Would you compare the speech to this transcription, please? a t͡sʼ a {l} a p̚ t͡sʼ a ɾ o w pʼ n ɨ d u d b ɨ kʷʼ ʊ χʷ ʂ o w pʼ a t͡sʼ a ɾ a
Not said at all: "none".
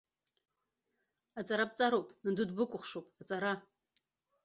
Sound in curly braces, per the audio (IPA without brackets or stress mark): ɾ